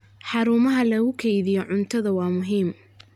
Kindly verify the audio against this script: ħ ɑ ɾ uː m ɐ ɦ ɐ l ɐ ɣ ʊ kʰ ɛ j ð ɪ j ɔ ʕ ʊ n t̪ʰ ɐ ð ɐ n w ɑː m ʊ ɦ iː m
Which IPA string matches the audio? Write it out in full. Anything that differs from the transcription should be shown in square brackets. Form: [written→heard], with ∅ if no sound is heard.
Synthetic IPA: ħ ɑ ɾ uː m ɐ ɦ ɐ l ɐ ɣ ʊ kʰ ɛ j ð ɪ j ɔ ʕ ʊ n t̪ʰ ɐ ð ɐ [n→∅] w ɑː m ʊ ɦ iː m